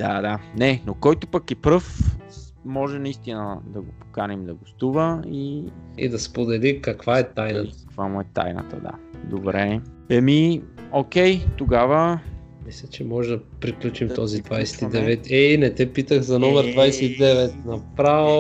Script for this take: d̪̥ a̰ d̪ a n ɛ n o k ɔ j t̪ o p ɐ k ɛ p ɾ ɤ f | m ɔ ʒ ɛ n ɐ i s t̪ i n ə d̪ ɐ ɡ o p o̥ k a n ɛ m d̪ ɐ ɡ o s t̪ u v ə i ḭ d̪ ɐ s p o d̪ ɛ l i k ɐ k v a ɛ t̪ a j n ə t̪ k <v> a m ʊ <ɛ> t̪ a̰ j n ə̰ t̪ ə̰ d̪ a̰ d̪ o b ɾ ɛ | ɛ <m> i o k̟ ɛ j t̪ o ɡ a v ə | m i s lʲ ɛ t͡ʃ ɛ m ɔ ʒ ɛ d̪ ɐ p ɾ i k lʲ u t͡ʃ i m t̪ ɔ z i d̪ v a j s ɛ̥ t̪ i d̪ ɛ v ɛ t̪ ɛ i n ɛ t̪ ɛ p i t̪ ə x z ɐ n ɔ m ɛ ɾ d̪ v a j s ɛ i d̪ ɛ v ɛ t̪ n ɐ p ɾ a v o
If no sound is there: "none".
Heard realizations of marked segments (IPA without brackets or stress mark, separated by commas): v, ɛ, m